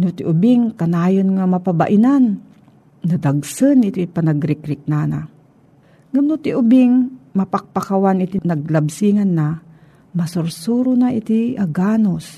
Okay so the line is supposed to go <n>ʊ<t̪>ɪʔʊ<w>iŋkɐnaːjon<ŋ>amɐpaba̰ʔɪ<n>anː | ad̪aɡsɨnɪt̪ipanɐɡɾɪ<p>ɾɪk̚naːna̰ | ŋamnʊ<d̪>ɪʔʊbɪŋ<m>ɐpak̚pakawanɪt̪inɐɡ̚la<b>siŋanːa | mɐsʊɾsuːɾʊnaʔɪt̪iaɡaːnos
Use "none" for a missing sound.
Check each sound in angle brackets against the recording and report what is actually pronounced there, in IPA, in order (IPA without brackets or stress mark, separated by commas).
n, t̪, b, ŋ, n, k, t̪, m, b